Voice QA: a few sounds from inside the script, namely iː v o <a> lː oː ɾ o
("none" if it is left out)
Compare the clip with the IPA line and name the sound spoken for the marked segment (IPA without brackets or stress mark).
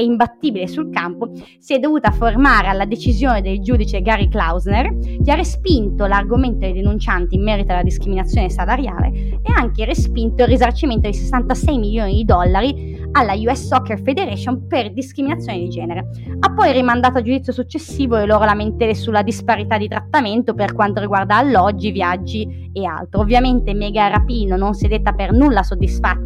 e